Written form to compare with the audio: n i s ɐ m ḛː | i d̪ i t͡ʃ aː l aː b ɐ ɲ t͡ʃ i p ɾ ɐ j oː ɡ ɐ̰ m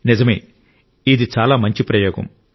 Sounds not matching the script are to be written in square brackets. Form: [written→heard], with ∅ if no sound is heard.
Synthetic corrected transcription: n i [s→z] ɐ m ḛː | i d̪ i t͡ʃ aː l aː [b→m] ɐ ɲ t͡ʃ i p ɾ ɐ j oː ɡ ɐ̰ m